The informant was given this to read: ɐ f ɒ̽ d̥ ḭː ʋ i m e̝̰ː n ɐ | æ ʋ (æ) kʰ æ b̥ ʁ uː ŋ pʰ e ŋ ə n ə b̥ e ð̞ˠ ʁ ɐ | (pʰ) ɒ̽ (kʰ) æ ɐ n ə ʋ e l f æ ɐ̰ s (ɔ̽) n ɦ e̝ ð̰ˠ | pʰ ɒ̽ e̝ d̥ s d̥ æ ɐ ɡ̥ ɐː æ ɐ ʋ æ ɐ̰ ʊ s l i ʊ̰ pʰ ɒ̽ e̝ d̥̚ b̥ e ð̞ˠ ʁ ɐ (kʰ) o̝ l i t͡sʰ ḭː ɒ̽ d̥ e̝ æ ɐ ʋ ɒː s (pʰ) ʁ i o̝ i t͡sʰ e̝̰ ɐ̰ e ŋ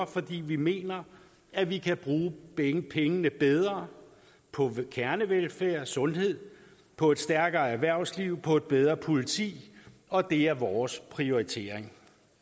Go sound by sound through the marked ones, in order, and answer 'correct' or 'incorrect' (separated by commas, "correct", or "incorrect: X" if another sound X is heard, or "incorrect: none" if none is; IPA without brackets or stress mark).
incorrect: i, correct, correct, correct, incorrect: pʰ, correct